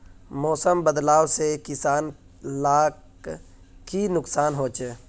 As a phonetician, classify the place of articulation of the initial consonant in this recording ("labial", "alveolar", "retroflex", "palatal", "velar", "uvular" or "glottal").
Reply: labial